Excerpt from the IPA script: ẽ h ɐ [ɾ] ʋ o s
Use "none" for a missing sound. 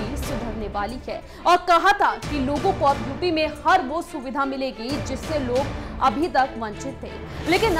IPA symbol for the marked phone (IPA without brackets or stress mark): ɾ